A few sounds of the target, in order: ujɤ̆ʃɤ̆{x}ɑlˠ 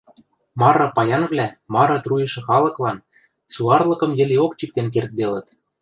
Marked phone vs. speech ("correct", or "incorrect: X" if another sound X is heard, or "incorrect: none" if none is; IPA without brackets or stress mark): correct